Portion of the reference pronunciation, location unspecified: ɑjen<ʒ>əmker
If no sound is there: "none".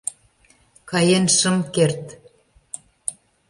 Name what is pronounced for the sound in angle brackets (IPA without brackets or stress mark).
ʃ